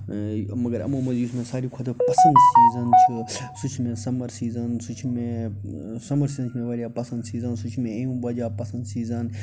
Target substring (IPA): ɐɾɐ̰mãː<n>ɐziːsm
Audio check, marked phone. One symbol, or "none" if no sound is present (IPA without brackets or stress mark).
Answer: m